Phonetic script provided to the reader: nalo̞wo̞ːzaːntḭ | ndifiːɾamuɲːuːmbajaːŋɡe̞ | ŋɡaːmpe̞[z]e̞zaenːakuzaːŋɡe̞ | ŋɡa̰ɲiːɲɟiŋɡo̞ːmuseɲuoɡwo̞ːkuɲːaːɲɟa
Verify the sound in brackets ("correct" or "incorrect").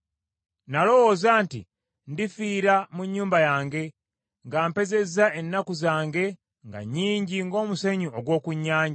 correct